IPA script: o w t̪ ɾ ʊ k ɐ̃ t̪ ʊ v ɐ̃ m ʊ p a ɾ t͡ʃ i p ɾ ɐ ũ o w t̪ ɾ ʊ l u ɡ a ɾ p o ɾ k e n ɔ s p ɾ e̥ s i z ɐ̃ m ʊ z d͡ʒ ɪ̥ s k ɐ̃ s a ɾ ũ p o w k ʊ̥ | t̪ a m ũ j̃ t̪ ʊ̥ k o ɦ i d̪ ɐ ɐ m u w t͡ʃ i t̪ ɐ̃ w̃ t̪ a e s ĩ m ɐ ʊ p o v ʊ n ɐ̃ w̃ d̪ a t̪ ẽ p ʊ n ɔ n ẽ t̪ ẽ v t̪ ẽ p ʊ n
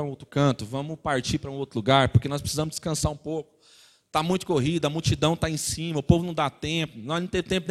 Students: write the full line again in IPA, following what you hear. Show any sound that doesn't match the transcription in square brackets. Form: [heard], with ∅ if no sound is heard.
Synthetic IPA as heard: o w t̪ ɾ ʊ k ɐ̃ t̪ ʊ v ɐ̃ m ʊ p a ɾ t͡ʃ i p ɾ ɐ ũ o w t̪ ɾ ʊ l u ɡ a ɾ p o ɾ k e n ɔ s p ɾ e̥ s i z ɐ̃ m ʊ z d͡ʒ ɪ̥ s k ɐ̃ s a ɾ ũ p o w k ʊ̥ | t̪ a m ũ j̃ t̪ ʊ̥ k o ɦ i d̪ ɐ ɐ m u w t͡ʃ i [d̪] ɐ̃ w̃ t̪ a [ẽ] s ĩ m ɐ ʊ p o v ʊ n ɐ̃ w̃ d̪ a t̪ ẽ p ʊ n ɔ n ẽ t̪ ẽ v t̪ ẽ p ʊ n